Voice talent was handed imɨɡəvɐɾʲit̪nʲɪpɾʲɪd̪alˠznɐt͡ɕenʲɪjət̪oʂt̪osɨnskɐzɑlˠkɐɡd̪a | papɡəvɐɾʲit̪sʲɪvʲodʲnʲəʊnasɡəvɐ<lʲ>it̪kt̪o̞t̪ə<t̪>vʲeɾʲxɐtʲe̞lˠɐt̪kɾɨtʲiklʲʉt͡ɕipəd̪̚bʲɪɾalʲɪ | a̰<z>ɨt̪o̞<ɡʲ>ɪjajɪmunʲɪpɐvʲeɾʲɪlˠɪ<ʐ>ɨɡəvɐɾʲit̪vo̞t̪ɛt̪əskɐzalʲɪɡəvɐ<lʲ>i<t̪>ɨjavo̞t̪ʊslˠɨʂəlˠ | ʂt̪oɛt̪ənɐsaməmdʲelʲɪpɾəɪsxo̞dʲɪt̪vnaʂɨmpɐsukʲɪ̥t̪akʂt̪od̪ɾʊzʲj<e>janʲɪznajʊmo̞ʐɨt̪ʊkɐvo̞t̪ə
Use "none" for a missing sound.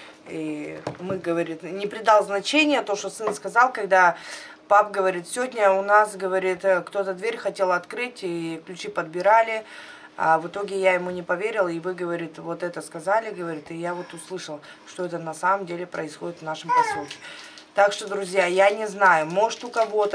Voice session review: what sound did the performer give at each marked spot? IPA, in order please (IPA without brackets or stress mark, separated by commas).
ɾʲ, d̪, v, ɡʲ, v, ɾʲ, t̪, a